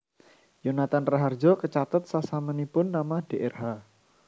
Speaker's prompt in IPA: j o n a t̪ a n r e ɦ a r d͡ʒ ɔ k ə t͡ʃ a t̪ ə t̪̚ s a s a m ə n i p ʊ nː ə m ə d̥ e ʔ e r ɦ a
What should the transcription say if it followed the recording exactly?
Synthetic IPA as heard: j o n a t̪ a n r a ɦ a r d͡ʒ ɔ k ə t͡ʃ a t̪ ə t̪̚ s a s a m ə n i p ʊ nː a m a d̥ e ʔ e r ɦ a